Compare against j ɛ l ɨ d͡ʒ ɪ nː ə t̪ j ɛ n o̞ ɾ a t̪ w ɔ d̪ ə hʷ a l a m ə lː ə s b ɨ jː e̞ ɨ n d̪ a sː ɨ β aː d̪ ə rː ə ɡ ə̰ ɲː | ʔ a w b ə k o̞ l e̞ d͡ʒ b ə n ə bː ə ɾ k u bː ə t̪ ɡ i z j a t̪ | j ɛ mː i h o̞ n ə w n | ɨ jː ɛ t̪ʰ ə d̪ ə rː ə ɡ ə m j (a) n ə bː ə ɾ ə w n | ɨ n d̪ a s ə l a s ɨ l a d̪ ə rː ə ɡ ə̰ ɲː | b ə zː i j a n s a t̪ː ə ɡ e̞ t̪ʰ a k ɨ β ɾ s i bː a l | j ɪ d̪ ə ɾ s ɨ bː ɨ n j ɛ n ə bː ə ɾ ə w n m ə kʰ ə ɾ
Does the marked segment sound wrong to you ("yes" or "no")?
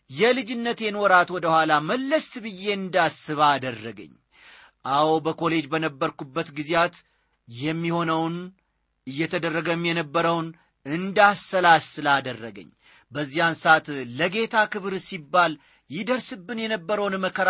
yes